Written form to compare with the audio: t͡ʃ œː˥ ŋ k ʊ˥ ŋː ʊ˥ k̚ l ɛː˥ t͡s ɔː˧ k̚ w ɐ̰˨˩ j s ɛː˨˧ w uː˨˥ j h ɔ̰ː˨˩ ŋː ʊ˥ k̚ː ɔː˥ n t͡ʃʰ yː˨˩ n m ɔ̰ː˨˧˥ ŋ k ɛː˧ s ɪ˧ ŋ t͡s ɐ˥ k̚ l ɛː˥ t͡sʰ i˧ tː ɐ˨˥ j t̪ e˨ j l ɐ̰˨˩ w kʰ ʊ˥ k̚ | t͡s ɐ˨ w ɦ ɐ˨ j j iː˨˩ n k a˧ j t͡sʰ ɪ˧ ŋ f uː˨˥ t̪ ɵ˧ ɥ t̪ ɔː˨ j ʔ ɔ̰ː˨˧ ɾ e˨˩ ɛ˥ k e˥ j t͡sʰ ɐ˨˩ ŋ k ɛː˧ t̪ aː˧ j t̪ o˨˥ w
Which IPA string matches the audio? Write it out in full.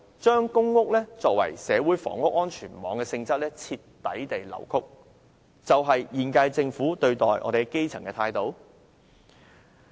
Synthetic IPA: t͡ʃ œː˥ ŋ k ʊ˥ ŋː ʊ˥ k̚ l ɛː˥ t͡s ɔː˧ k̚ w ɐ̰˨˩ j s ɛː˨˧ w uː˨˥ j f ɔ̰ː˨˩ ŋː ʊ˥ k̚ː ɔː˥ n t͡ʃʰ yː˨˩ n m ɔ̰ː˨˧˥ ŋ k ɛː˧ s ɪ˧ ŋ t͡s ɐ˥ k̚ l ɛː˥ t͡sʰ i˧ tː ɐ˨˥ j t̪ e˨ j l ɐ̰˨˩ w kʰ ʊ˥ k̚ | t͡s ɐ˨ w ɦ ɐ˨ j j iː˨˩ n k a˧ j t͡s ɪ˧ ŋ f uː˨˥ t̪ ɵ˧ ɥ t̪ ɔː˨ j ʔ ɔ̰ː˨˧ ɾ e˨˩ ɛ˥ k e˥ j t͡sʰ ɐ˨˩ ŋ k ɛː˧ t̪ʰ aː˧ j t̪ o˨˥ w

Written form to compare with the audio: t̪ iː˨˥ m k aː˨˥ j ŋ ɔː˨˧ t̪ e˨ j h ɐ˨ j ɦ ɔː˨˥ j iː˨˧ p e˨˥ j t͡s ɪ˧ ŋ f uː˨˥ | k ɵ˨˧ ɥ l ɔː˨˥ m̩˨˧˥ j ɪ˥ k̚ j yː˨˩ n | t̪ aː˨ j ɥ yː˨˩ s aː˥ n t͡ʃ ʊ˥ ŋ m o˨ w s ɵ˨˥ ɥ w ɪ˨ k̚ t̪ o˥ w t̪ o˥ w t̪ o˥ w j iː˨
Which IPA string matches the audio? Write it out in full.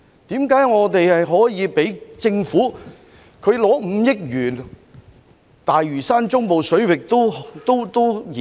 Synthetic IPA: t̪ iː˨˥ m k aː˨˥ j ŋ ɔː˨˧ t̪ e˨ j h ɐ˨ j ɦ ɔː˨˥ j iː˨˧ p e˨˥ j t͡s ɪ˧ ŋ f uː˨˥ | kʰ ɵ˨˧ ɥ l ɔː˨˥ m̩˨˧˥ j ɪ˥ k̚ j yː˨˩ n | t̪ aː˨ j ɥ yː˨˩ s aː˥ n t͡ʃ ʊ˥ ŋ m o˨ w s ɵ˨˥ ɥ w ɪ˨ k̚ t̪ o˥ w t̪ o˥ w t̪ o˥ w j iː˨

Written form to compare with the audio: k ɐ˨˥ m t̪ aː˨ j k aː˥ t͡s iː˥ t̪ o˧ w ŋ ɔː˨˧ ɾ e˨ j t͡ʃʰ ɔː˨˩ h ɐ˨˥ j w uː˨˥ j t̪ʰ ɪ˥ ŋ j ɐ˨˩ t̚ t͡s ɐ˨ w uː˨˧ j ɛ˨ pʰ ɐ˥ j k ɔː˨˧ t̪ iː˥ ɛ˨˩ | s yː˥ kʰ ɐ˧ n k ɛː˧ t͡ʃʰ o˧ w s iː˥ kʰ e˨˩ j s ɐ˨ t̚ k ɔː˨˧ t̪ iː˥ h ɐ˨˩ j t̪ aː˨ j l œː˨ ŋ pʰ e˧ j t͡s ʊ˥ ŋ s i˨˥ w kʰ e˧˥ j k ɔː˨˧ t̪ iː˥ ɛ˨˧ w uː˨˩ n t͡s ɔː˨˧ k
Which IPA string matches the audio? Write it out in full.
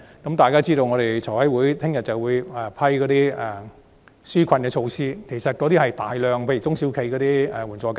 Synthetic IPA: k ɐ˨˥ m t̪ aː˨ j k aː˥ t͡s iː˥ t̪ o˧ w ŋ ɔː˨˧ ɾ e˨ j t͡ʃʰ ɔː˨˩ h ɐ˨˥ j w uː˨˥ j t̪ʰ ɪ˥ ŋ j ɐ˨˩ t̚ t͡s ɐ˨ w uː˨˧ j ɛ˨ pʰ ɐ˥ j k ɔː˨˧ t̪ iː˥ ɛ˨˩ | s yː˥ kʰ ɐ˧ n k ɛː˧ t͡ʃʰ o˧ w s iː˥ kʰ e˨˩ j s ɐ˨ t̚ k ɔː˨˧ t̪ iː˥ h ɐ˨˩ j t̪ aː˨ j l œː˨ ŋ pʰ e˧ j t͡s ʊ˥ ŋ s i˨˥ w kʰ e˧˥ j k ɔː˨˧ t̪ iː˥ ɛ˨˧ w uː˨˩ n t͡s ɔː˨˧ k

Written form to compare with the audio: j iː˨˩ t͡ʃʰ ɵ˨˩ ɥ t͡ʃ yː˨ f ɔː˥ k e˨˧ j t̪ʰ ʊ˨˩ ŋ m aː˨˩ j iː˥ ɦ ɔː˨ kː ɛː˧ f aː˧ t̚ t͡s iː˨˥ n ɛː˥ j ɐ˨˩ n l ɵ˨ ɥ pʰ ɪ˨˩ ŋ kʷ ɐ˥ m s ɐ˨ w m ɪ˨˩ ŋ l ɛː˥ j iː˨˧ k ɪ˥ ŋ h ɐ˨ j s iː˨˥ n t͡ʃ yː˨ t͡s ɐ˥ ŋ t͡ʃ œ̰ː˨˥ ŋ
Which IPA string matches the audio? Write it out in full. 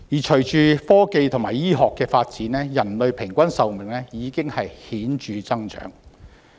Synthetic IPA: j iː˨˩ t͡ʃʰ ɵ˨˩ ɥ t͡ʃ yː˨ f ɔː˥ k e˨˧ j t̪ʰ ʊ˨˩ ŋ m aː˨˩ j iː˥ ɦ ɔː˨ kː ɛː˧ f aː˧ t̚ t͡s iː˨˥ n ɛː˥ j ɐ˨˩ n l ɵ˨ ɥ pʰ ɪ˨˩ ŋ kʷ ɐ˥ n s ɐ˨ w m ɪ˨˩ ŋ l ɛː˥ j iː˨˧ k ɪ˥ ŋ h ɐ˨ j h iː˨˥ n t͡ʃ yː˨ t͡s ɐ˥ ŋ t͡ʃ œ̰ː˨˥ ŋ

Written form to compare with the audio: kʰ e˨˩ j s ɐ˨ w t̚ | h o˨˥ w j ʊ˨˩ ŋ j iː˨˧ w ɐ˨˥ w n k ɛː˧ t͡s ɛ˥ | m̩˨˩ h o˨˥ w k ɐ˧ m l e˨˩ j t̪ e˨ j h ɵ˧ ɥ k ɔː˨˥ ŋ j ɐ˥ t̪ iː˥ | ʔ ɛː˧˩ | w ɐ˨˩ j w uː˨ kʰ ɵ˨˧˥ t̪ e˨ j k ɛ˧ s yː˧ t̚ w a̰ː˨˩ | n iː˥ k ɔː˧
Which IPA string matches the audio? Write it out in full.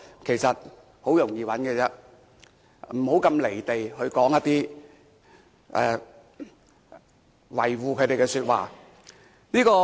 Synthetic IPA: kʰ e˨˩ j s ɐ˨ t̚ | h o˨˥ w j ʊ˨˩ ŋ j iː˨˧ w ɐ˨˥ n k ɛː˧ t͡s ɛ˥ | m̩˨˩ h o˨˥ w k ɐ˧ m l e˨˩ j t̪ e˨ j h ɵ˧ ɥ k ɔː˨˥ ŋ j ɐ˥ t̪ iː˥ | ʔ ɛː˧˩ | w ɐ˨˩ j w uː˨ kʰ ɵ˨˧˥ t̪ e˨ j k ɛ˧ s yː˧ t̚ w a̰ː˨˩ | n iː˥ k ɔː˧

